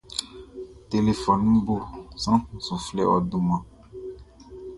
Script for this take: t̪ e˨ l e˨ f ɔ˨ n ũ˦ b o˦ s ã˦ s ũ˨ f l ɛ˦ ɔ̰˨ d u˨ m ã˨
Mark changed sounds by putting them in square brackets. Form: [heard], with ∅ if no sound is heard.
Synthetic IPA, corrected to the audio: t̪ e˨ l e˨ f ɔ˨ n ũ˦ b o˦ s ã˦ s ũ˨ f l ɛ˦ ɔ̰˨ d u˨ m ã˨